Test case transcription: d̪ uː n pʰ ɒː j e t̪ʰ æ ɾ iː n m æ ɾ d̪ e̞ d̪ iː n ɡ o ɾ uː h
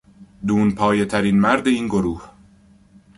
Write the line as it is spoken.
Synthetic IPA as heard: d̪ uː n pʰ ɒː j e t̪ʰ æ ɾ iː n m æ ɾ d̪ e̞ iː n ɡ o ɾ uː h